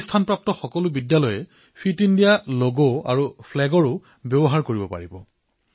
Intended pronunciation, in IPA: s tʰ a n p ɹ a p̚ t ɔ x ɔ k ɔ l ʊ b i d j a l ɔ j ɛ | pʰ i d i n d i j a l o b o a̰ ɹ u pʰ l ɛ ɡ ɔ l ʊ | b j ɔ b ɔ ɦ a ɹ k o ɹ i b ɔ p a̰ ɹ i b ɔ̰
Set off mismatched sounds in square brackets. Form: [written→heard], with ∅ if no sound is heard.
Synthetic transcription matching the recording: s tʰ a n p ɹ a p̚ t ɔ x ɔ k ɔ l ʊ b i d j a l ɔ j ɛ | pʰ i [d→t] i n d i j a l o [b→ɡ] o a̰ ɹ u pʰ l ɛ ɡ ɔ [l→ɹ] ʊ | b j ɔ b ɔ ɦ a ɹ k o ɹ i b ɔ p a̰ ɹ i b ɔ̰